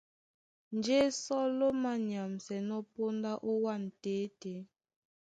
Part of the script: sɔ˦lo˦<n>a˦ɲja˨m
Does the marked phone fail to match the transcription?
yes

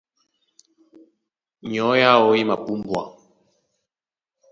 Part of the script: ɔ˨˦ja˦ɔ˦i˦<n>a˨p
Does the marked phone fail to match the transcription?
yes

